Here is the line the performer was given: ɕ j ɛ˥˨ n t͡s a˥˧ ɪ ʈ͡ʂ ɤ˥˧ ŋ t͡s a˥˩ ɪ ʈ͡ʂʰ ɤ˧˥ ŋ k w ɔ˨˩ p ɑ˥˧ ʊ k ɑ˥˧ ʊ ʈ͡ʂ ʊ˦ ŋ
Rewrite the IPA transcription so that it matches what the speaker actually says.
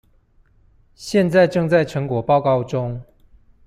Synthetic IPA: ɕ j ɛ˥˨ n t͡s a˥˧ ɪ ʈ͡ʂ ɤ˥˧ ŋ t͡s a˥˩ ɪ ʈ͡ʂʰ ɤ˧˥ ŋ k w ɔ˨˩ p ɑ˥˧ ʊ k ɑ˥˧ ʊ ʈ͡ʂ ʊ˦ ŋ